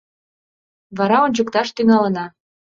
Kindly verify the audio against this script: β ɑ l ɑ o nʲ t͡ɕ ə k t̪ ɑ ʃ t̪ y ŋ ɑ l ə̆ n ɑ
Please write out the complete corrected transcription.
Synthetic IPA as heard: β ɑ ɾ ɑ o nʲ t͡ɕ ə k t̪ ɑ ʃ t̪ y ŋ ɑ l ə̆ n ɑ